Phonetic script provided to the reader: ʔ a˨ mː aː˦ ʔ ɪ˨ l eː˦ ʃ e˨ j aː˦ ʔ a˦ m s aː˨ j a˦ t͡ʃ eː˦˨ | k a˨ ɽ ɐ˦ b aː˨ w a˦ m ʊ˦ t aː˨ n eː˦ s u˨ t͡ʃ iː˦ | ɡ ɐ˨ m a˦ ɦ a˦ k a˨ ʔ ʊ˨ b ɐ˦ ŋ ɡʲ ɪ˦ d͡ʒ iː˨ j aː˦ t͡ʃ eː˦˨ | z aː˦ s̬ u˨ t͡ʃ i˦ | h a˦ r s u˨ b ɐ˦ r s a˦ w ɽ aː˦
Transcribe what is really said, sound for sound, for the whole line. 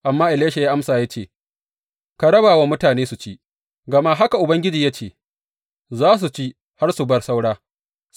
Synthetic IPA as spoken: ʔ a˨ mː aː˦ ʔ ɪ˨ l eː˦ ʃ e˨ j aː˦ ʔ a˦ m s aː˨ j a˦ t͡ʃ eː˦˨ | k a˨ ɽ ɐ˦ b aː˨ w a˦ m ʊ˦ t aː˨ n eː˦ s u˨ t͡ʃ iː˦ | ɡ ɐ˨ m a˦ ɦ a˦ k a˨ ʔ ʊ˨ b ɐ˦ ŋ ɡʲ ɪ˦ d͡ʒ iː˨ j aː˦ t͡ʃ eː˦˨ | z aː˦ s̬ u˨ t͡ʃ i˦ | h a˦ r s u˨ b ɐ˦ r s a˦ w ɽ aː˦

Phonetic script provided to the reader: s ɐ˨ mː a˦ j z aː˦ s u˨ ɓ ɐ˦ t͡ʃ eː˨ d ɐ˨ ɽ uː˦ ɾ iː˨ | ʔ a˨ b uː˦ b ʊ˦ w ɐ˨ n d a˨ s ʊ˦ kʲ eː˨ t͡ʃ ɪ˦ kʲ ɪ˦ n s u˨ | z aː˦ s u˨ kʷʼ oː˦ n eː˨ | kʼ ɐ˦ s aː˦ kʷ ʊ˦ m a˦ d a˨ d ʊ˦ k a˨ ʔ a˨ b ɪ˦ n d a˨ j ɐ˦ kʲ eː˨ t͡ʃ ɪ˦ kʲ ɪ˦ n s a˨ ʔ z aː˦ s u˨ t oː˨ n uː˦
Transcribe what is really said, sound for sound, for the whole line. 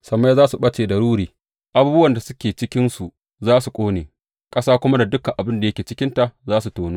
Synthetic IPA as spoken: s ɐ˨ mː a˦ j z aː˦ s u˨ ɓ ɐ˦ t͡ʃ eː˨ d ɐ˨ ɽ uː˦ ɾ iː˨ | ʔ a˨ b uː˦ b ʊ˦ w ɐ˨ n d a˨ s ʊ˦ kʲ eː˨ t͡ʃ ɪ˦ kʲ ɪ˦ n s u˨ | z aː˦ s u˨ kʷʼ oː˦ n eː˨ | kʼ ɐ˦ s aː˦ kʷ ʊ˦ m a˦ d a˨ d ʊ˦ k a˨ ʔ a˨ b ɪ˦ n d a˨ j ɐ˦ kʲ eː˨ t͡ʃ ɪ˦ kʲ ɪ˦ n t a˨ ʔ z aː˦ s u˨ t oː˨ n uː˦

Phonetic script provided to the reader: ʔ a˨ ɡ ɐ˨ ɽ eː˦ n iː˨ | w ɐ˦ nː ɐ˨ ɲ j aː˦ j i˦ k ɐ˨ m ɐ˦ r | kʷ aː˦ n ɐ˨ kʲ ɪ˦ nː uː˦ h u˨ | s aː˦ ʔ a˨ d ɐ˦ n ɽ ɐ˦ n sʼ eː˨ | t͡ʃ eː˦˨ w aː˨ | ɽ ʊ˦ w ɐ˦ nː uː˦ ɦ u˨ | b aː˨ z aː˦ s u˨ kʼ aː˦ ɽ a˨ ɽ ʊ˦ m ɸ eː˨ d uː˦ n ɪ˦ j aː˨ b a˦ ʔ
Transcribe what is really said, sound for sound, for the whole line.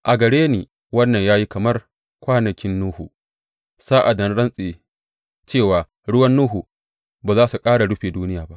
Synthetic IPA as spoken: ʔ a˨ ɡ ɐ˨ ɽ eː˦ n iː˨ | w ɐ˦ nː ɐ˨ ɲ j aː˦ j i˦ k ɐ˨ m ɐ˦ r | kʷ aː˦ n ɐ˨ kʲ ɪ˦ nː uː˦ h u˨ | s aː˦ ʔ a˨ d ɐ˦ n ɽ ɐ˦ n sʼ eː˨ | t͡ʃ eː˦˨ w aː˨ | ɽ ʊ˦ w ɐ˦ nː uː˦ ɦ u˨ | b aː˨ z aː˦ s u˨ kʼ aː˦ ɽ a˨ ɽ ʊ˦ ɸ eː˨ d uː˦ n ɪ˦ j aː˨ b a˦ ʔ

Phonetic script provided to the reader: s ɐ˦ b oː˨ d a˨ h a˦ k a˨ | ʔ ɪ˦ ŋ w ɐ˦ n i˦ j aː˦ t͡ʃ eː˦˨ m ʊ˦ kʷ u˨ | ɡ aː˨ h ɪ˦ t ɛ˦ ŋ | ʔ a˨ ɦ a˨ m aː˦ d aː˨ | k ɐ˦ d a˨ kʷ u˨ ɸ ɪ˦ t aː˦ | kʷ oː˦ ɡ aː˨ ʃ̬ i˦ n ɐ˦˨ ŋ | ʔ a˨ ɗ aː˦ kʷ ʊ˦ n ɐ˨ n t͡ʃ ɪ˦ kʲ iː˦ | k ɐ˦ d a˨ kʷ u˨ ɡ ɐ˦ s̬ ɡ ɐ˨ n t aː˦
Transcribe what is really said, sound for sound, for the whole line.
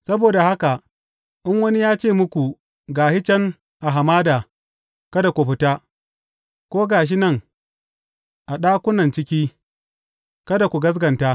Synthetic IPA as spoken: s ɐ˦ b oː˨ d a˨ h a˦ k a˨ | ʔ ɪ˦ ŋ w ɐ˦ n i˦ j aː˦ t͡ʃ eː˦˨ m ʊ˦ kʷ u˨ | ɡ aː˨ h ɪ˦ t͡ʃ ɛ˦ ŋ | ʔ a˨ ɦ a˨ m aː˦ d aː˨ | k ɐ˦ d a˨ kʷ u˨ ɸ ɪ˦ t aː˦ | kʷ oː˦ ɡ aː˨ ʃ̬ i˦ n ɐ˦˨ ŋ | ʔ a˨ ɗ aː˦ kʷ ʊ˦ n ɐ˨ n t͡ʃ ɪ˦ kʲ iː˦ | k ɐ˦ d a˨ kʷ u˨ ɡ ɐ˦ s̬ ɡ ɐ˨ n t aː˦

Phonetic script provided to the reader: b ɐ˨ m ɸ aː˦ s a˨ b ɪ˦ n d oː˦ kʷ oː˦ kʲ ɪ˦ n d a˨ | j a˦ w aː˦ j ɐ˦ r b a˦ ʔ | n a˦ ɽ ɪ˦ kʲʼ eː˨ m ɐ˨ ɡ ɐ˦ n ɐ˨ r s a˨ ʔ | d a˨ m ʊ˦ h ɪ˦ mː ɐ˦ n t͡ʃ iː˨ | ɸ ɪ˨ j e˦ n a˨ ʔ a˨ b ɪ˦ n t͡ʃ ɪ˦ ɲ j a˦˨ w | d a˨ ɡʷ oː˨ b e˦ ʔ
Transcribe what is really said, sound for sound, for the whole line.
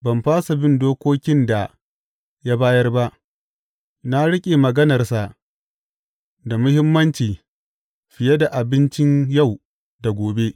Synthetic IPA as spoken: b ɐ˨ m ɸ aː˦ s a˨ b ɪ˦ n d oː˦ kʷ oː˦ kʲ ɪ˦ n d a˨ | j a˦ b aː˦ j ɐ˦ r b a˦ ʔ | n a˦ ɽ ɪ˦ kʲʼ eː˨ m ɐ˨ ɡ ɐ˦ n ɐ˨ r s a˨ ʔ | d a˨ m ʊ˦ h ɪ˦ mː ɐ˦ n t͡ʃ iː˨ | ɸ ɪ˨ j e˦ d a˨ ʔ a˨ b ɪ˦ n t͡ʃ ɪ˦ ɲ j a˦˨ w | d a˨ ɡʷ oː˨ b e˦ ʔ

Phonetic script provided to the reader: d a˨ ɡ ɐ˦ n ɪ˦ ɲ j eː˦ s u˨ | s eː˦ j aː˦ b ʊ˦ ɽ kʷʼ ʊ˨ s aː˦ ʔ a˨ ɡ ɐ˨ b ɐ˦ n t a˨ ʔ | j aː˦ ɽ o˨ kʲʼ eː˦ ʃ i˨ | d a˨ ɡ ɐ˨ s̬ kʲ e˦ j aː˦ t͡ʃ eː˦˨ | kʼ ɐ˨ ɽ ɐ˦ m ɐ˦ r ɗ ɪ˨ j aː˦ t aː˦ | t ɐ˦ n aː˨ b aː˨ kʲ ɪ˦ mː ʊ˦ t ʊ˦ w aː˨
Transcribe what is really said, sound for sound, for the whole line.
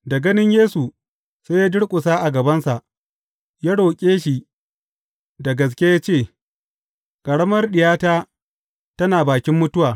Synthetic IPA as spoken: d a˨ ɡ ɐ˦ n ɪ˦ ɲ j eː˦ s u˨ | s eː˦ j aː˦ d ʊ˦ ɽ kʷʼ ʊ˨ s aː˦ ʔ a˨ ɡ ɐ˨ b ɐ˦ n s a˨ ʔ | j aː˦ ɽ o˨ kʲʼ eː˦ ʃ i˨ | d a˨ ɡ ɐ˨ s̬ kʲ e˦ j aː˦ t͡ʃ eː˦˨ | kʼ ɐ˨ ɽ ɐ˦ m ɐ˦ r ɗ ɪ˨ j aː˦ t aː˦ | t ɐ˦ n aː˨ b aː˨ kʲ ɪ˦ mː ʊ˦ t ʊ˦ w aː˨

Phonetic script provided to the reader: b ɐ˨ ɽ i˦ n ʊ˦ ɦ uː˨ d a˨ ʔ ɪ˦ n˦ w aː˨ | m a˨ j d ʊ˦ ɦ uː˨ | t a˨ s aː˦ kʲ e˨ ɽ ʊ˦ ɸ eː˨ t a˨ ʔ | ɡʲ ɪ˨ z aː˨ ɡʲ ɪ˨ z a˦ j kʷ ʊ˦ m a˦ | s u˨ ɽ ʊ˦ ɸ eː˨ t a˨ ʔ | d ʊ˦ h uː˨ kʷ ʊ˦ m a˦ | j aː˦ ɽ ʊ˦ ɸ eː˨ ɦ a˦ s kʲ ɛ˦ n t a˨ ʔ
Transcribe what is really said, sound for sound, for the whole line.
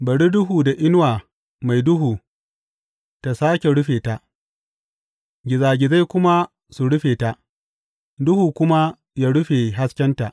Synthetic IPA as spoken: b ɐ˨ ɽ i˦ d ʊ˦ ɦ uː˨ d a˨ ʔ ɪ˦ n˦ w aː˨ | m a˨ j d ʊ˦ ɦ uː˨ | t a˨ s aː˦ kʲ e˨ ɽ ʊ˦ ɸ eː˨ t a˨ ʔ | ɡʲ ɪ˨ z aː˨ ɡʲ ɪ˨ z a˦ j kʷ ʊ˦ m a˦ | s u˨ ɽ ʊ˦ ɸ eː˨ t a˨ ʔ | d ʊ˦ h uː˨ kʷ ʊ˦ m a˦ | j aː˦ ɽ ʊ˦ ɸ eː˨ ɦ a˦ s kʲ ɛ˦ n t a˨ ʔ

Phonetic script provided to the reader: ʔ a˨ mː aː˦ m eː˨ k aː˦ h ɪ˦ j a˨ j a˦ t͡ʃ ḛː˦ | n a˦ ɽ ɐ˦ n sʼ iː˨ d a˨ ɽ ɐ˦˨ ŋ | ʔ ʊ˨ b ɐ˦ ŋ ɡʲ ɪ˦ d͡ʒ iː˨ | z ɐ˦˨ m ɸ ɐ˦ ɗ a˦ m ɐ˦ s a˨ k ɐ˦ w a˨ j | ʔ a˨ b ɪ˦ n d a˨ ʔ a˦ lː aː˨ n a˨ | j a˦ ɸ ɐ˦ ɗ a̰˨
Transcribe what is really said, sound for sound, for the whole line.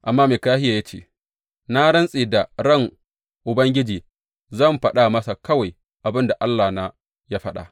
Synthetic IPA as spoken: ʔ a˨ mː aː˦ m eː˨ k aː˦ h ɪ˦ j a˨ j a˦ t͡ʃ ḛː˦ | n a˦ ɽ ɐ˦ n sʼ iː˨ d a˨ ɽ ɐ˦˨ ŋ | ʔ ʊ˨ b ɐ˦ ŋ ɡʲ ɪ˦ d͡ʒ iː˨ | z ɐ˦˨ m ɸ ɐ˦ ɗ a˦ m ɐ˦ s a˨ k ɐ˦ w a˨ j | ʔ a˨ b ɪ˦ n d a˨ ʔ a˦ lː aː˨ n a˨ | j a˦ ɸ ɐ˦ ɗ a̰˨

